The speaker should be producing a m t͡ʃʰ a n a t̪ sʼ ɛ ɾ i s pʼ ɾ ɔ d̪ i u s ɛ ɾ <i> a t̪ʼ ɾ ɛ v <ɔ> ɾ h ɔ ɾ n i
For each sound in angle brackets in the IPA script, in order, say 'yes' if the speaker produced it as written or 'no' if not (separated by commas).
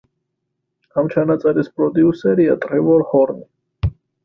yes, yes